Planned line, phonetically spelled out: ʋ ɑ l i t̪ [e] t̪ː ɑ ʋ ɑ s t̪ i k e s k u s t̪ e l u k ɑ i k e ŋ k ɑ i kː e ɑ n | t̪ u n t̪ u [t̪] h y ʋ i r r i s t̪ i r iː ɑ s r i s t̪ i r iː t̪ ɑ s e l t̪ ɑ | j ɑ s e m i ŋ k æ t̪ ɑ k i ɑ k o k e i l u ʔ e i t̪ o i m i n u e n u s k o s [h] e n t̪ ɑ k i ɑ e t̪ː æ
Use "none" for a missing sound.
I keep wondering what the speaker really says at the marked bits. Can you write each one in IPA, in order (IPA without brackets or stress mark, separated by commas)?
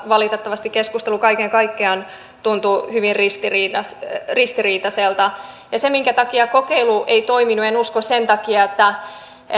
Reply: e, none, s